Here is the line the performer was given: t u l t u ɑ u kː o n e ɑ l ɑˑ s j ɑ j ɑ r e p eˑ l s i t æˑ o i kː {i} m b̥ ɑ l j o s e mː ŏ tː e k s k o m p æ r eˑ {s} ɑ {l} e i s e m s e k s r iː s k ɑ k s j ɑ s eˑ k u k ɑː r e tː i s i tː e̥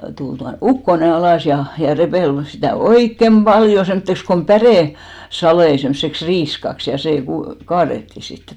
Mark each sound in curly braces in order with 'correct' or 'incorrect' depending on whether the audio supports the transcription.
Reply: incorrect: e, correct, correct

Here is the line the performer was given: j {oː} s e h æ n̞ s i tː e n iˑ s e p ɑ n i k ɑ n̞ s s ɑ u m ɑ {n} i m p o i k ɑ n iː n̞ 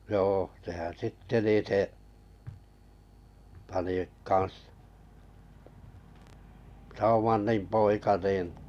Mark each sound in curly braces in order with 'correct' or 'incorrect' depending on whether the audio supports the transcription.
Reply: correct, incorrect: nː

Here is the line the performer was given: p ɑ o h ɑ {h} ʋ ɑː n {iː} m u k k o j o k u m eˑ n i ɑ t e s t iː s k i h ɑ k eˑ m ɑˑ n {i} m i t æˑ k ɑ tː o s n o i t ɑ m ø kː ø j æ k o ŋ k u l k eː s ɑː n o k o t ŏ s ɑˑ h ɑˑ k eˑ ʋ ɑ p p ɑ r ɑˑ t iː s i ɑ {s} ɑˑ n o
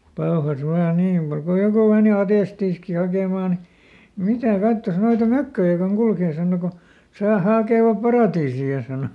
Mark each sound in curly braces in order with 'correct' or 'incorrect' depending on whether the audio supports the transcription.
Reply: incorrect: s, correct, correct, correct

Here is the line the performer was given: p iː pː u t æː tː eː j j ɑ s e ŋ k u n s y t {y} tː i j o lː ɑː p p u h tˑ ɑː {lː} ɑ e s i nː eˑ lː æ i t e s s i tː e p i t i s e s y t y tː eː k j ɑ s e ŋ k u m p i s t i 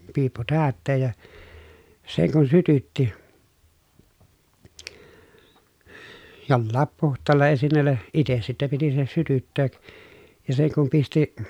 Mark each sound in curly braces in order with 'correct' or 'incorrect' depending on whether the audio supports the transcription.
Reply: correct, correct

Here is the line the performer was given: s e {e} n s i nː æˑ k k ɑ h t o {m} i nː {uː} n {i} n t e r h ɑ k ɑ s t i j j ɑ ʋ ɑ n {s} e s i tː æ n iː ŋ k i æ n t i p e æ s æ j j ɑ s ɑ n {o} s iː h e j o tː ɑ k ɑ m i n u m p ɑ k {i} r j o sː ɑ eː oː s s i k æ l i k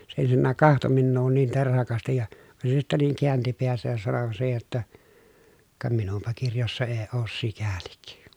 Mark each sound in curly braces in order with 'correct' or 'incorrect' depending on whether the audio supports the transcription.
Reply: correct, correct, correct, incorrect: iː, correct, correct, correct

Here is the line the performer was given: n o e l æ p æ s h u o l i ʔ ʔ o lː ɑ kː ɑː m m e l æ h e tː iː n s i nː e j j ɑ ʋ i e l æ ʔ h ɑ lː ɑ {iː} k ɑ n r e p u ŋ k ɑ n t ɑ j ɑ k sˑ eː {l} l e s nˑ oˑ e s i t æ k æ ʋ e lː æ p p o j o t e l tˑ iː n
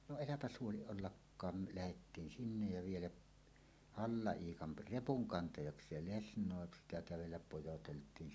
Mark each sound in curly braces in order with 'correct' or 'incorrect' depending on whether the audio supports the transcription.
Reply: correct, correct

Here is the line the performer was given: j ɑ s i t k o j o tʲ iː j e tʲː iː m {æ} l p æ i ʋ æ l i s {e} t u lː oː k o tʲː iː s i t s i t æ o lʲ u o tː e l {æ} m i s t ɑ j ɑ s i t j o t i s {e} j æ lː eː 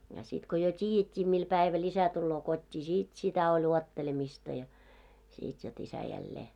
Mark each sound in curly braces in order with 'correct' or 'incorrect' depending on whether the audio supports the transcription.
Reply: incorrect: i, incorrect: æ, incorrect: e, incorrect: æ

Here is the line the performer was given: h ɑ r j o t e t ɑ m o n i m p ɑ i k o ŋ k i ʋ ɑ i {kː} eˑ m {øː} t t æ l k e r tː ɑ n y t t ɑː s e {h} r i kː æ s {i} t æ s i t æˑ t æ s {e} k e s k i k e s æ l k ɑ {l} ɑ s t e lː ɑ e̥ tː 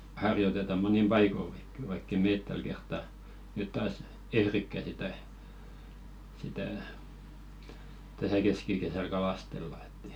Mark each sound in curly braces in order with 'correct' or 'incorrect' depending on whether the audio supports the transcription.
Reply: correct, incorrect: eː, correct, correct, incorrect: æ, correct

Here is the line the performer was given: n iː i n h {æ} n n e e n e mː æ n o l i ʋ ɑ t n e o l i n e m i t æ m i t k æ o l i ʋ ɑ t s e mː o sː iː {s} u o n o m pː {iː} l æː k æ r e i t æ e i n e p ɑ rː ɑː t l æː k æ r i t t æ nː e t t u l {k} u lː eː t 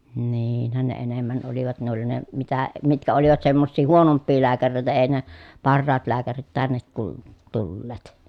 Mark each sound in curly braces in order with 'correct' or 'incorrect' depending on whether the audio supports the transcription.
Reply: correct, incorrect: h, correct, incorrect: t

